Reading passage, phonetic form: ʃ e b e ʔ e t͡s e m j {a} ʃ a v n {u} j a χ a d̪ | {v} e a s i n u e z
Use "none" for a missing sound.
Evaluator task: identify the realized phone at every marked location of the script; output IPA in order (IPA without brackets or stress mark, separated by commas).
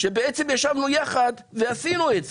a, u, v